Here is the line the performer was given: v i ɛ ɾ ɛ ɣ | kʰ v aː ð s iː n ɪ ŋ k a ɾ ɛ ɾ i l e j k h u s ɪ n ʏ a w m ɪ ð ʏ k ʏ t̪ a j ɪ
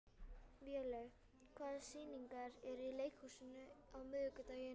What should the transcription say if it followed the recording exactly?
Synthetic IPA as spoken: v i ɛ l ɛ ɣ | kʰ v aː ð s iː n i ŋ k a ɾ ɛ ɾ i l e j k h u s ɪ n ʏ a w m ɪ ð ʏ k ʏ t̪ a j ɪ